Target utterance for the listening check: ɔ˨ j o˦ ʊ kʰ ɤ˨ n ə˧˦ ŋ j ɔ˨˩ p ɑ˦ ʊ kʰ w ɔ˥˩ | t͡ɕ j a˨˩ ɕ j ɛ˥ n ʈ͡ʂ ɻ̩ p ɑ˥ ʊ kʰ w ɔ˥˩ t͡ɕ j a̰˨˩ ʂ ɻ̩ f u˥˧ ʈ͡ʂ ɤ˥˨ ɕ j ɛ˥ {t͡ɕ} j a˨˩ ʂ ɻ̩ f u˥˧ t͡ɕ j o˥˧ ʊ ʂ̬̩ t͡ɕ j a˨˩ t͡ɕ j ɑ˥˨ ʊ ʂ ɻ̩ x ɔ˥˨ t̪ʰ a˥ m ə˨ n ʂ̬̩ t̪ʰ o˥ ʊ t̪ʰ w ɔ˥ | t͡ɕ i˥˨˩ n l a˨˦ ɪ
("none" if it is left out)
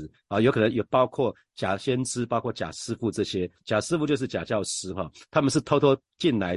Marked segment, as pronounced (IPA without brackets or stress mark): t͡ɕ